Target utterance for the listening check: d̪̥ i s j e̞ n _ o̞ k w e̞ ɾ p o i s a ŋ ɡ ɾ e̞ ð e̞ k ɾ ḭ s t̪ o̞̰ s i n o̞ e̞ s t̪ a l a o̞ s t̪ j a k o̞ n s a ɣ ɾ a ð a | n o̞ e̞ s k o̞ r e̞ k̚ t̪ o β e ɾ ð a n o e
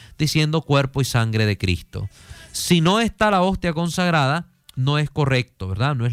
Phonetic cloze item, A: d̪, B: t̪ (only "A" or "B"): A